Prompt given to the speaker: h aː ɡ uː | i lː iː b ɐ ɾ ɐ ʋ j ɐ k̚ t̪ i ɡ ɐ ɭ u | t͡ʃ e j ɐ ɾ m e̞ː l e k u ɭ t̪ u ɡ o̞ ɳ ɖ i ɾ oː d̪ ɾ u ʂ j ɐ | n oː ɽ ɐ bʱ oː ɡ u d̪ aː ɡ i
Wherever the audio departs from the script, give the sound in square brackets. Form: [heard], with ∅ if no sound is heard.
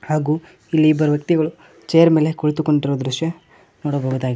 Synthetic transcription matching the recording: h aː ɡ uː | i lː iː b ɐ ɾ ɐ ʋ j ɐ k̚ t̪ i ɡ ɐ ɭ u | t͡ʃ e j ɐ ɾ m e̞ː l e k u ɭ t̪ u [k] o̞ ɳ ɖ i ɾ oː d̪ ɾ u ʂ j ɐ | n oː ɽ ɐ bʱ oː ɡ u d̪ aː ɡ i